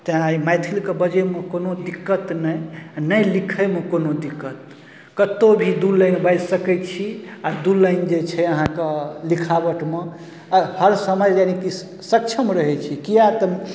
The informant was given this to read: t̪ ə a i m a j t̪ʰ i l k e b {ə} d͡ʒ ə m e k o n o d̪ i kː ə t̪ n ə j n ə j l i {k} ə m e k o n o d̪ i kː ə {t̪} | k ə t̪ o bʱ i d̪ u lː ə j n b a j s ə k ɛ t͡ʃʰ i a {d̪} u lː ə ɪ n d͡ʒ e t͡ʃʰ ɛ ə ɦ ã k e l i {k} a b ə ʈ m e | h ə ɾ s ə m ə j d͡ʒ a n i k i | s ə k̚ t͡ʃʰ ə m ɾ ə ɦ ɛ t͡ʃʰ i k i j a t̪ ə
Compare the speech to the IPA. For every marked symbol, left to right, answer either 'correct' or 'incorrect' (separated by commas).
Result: correct, incorrect, correct, correct, incorrect